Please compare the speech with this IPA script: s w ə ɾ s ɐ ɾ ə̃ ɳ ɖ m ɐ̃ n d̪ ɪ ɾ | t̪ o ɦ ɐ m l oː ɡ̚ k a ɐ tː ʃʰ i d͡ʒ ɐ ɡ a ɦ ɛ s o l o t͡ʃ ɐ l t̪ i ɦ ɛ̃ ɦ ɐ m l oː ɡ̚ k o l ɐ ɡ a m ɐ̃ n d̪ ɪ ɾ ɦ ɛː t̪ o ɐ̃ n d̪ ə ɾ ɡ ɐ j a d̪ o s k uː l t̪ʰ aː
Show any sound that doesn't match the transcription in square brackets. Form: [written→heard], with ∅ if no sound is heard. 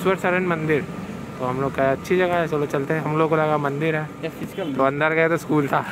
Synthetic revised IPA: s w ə ɾ s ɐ ɾ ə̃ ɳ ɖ m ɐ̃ n d̪ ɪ ɾ | t̪ o ɦ ɐ m l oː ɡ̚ k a ɐ tː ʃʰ i d͡ʒ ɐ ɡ a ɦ ɛ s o l o t͡ʃ ɐ l t̪ [i→e] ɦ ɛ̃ ɦ ɐ m l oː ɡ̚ k o l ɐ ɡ a m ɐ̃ n d̪ ɪ ɾ ɦ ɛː t̪ o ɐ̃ n d̪ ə ɾ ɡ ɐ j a [d̪→t̪] o s k uː l t̪ʰ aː

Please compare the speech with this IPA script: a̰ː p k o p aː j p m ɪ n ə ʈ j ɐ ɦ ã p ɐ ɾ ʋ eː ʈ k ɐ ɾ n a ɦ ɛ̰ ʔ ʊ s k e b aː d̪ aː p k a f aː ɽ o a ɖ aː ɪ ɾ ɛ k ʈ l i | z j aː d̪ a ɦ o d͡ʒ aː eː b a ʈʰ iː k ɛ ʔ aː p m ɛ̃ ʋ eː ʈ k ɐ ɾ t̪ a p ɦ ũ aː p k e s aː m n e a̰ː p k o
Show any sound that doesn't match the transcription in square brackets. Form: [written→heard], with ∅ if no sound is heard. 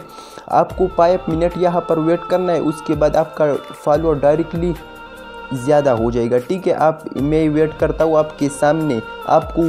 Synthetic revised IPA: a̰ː p k o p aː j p m ɪ n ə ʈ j ɐ ɦ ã p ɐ ɾ ʋ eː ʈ k ɐ ɾ n a ɦ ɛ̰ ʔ ʊ s k e b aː d̪ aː p k a f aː [ɽ→l] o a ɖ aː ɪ ɾ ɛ k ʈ l i | z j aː d̪ a ɦ o d͡ʒ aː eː [b→ɡ] a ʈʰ iː k ɛ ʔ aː p m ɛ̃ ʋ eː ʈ k ɐ ɾ t̪ a [p→∅] ɦ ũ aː p k e s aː m n e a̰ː p k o

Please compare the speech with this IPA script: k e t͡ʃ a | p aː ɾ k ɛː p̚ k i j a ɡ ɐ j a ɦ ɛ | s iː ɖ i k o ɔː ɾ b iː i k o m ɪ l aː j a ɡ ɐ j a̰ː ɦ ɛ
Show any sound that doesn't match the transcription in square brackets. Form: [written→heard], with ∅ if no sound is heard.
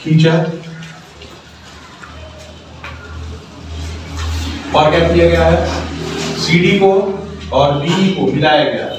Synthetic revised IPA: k [e→i] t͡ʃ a | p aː ɾ k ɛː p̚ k i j a ɡ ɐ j a ɦ ɛ | s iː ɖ i k o ɔː ɾ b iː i k o m ɪ l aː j a ɡ ɐ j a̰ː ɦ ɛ

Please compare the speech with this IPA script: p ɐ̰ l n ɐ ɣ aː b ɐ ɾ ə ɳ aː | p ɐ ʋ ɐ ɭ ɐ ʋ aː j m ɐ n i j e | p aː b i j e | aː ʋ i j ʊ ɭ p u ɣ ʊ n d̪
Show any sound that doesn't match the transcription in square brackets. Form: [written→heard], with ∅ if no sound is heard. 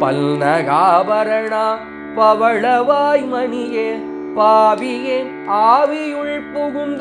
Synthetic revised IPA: p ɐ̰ l n ɐ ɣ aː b ɐ ɾ [ə→ɐ] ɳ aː | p ɐ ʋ ɐ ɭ ɐ ʋ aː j m ɐ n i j e | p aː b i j e | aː ʋ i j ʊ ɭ p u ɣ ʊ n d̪

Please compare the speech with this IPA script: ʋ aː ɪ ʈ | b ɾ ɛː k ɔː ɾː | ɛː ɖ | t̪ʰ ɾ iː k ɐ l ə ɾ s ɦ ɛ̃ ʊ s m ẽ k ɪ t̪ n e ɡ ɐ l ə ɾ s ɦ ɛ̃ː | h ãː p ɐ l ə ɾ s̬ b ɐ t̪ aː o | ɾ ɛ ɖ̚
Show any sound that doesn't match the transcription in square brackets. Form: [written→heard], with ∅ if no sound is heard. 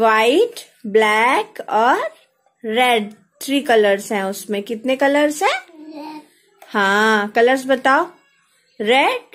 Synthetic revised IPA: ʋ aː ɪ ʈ | b [ɾ→l] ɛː k ɔː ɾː | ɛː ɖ | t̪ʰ ɾ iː k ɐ l ə ɾ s ɦ ɛ̃ ʊ s m ẽ k ɪ t̪ n e [ɡ→k] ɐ l ə ɾ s ɦ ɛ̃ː | h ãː [p→k] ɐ l ə ɾ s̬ b ɐ t̪ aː o | ɾ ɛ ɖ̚

